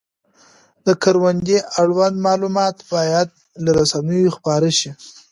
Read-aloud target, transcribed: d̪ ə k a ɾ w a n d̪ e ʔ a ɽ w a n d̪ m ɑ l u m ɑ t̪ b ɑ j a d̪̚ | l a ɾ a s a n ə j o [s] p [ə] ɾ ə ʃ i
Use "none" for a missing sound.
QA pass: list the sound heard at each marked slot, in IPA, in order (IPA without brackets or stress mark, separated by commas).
x, ɑ